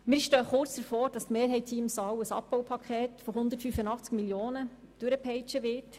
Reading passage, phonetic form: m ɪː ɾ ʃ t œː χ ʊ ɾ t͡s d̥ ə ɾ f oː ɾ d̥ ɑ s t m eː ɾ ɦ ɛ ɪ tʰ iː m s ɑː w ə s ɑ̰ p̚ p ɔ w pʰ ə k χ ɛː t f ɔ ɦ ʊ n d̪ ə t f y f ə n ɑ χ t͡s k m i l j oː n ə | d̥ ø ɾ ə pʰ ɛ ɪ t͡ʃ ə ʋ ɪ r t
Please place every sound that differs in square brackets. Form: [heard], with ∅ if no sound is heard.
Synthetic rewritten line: m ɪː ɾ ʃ t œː χ ʊ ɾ t͡s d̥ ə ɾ f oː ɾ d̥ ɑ s t m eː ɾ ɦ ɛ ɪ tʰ iː m s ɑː w ə s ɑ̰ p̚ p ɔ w pʰ [ɑ] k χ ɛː t f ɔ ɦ ʊ n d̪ ə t f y f ə n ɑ χ t͡s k m i l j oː n ə | d̥ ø ɾ ə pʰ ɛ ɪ t͡ʃ ə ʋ ɪ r t